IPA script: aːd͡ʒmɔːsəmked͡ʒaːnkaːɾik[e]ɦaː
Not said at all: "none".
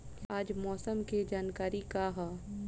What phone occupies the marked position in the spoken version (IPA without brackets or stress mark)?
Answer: a